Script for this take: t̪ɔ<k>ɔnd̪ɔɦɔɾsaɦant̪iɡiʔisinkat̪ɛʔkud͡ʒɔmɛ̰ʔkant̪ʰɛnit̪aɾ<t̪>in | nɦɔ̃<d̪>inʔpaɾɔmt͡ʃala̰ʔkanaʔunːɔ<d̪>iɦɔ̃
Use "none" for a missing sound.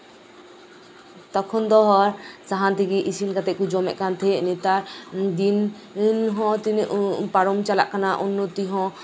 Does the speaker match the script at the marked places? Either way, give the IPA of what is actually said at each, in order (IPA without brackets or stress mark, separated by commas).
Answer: kʰ, d̪, t̪, t̪